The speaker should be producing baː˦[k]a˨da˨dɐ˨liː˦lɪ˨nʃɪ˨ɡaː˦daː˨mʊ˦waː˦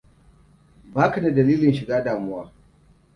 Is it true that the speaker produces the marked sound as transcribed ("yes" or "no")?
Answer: yes